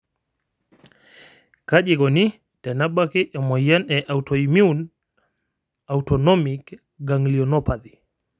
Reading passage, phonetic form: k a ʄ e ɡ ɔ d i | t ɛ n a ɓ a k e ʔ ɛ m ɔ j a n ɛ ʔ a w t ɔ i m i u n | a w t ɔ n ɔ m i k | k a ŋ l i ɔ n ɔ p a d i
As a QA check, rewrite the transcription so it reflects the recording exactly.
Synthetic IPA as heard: k a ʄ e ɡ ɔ n i | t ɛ n a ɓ a k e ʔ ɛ m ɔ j a n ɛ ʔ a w t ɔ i m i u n | a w t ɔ n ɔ m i k | ɡ a ŋ l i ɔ n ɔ p a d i